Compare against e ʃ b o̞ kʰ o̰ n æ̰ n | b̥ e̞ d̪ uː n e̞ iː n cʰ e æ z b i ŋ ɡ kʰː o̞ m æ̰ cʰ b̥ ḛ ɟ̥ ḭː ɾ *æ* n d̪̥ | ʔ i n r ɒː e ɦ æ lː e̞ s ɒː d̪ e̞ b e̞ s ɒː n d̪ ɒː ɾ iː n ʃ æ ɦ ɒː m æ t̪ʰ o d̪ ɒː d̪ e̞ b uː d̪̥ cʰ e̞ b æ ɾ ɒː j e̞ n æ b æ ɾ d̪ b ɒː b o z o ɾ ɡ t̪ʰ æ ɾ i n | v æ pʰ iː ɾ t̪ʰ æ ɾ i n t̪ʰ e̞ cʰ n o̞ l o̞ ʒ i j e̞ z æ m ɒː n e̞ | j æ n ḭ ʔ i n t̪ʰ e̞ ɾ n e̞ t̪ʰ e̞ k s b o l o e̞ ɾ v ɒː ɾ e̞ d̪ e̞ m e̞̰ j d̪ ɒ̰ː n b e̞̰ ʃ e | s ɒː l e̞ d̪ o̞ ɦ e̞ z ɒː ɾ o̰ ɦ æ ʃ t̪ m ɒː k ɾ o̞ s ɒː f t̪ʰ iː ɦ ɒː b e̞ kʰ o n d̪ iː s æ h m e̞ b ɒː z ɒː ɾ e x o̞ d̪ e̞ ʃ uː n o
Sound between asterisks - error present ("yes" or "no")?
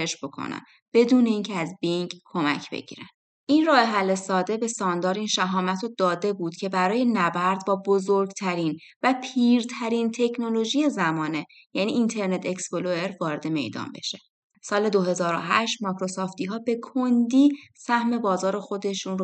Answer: no